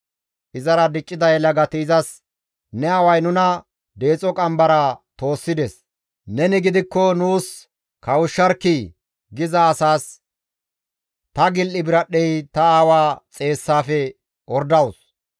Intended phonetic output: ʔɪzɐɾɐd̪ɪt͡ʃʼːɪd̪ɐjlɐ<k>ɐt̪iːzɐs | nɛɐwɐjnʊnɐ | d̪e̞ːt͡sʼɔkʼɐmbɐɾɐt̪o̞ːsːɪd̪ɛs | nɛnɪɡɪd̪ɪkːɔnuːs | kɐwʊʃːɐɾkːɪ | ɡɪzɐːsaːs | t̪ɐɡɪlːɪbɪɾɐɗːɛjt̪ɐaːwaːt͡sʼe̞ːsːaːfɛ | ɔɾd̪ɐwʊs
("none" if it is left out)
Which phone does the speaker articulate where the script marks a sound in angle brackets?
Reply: ɡ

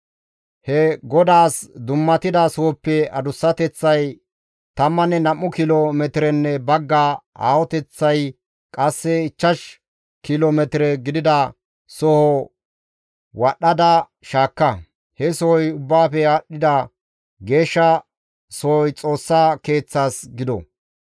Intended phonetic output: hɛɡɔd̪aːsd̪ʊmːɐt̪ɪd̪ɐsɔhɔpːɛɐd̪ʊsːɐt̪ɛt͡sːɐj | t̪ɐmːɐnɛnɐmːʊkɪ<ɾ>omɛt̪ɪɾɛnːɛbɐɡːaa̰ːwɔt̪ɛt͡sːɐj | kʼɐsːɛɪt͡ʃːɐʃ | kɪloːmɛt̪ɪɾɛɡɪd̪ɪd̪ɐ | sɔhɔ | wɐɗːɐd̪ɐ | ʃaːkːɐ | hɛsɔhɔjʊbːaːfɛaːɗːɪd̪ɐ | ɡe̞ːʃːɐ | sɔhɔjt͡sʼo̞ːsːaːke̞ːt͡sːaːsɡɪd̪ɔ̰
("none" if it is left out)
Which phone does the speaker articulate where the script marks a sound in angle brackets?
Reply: l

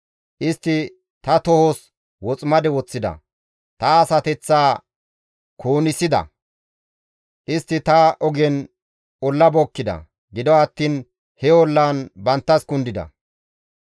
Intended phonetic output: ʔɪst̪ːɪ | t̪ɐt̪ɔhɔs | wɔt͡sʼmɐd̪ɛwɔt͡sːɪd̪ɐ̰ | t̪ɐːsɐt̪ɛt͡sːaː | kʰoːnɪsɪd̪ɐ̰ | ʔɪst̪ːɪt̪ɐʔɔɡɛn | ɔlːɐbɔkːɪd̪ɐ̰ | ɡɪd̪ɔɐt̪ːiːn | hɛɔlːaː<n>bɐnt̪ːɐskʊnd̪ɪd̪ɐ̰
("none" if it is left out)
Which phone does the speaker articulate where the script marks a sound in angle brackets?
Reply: n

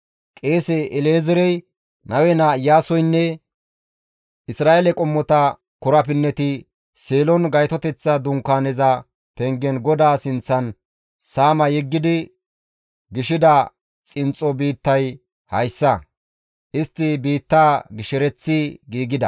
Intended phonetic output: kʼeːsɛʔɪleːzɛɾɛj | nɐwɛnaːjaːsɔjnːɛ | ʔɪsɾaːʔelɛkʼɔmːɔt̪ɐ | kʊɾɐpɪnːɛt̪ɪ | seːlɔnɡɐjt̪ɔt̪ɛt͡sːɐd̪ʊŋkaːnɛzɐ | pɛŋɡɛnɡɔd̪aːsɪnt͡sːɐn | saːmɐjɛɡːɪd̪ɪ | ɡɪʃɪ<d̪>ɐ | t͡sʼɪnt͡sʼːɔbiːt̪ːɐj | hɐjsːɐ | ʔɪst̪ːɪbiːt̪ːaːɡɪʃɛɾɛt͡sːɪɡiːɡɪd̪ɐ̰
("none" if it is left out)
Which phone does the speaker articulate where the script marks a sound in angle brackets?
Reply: d̪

